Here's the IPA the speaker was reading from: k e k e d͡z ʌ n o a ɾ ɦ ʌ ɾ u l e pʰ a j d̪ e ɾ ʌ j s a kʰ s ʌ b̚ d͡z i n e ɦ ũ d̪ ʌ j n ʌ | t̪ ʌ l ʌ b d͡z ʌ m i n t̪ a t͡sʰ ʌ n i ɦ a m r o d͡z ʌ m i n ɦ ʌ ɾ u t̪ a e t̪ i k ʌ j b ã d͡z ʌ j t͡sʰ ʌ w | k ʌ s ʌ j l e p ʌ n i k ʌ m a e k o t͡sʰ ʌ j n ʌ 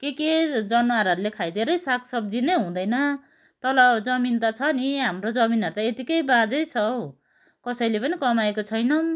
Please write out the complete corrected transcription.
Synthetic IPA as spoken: k e k e d͡z ʌ n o a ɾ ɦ ʌ ɾ u l e kʰ a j d̪ e ɾ ʌ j s a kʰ s ʌ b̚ d͡z i n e ɦ ũ d̪ ʌ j n ʌ | t̪ ʌ l ʌ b d͡z ʌ m i n t̪ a t͡sʰ ʌ n i ɦ a m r o d͡z ʌ m i n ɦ ʌ ɾ u t̪ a e t̪ i k ʌ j b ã d͡z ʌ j t͡sʰ ʌ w | k ʌ s ʌ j l e p ʌ n i k ʌ m a e k o t͡sʰ ʌ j n ʌ